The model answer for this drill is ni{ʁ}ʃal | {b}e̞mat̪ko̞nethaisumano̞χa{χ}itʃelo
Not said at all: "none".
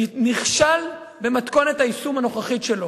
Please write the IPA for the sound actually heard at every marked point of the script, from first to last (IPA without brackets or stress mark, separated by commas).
χ, b, χ